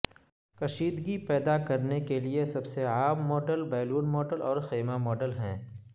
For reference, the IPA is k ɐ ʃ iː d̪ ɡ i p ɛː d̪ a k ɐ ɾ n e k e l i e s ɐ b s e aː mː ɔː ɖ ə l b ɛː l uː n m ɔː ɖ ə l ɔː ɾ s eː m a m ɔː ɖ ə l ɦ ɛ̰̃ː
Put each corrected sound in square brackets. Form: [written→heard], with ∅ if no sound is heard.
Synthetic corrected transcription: k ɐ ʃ iː d̪ ɡ i p ɛː d̪ a k ɐ ɾ n e k e l i e s ɐ b s e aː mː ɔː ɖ ə l b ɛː l uː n m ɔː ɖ ə l ɔː ɾ [s→x] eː m a m ɔː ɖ ə l ɦ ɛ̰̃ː